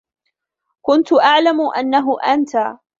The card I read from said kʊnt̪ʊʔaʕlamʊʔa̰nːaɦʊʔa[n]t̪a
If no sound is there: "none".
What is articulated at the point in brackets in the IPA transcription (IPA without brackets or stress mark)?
n